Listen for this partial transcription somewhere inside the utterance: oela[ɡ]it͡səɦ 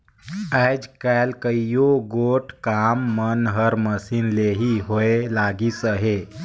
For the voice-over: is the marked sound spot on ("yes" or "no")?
yes